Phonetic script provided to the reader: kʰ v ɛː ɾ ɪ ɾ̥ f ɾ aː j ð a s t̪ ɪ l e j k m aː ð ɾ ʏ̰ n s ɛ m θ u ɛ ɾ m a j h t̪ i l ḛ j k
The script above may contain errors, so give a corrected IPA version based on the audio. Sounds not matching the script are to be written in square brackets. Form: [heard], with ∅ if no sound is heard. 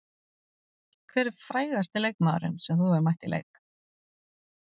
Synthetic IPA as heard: kʰ v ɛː ɾ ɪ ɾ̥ f ɾ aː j [ɣ] a s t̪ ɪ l e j k m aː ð ɾ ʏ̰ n s ɛ m θ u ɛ ɾ m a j h t̪ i l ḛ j k